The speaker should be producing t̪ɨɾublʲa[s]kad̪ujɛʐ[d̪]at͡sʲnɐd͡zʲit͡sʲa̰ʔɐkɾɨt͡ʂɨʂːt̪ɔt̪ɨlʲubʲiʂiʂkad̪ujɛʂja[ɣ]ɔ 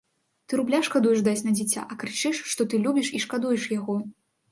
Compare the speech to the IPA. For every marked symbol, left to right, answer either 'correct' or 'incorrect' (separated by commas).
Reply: incorrect, correct, correct